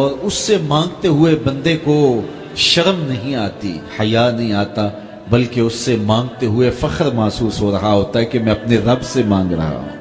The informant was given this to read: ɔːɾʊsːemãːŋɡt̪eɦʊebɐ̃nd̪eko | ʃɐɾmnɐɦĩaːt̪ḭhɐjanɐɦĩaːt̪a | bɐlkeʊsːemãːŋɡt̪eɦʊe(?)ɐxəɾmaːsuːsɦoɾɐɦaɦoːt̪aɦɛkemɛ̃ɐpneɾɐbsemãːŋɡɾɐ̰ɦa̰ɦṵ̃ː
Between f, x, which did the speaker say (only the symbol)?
f